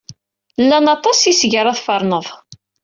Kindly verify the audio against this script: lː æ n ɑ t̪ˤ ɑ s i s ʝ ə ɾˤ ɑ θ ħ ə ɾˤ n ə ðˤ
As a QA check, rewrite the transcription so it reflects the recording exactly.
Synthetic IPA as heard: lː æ n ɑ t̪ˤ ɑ s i s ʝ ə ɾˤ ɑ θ f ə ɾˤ n ə ðˤ